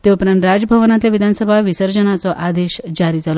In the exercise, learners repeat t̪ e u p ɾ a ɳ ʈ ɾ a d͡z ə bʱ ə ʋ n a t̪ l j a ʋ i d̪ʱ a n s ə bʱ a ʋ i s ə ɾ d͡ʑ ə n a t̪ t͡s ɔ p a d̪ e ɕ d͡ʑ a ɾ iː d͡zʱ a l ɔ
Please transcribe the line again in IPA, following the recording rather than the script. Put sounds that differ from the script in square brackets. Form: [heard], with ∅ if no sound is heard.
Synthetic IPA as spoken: t̪ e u p ɾ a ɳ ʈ ɾ a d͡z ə bʱ ə ʋ n a t̪ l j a ʋ i d̪ʱ a n s ə bʱ a ʋ i s ə ɾ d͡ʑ ə n a [∅] t͡s ɔ [ʔ] a d̪ e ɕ d͡ʑ a ɾ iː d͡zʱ a l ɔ